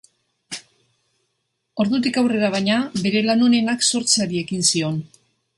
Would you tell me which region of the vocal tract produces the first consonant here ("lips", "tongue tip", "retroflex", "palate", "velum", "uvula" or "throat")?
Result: tongue tip